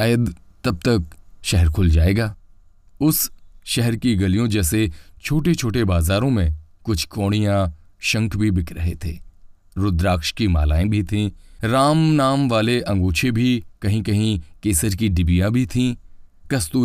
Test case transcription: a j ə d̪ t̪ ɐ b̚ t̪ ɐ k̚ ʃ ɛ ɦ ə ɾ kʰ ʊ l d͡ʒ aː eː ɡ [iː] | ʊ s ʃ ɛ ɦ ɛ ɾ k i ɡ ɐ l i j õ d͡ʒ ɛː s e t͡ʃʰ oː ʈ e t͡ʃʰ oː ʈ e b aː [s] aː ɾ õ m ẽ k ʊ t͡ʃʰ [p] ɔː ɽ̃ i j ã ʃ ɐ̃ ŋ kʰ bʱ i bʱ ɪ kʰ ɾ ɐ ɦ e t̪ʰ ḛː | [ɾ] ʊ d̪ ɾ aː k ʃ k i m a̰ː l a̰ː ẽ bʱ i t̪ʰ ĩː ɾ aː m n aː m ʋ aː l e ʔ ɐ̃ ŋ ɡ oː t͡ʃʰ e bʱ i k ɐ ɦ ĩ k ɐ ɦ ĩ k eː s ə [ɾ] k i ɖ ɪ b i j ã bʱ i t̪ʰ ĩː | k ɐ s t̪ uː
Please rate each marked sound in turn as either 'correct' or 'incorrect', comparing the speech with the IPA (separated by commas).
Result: incorrect, incorrect, incorrect, correct, correct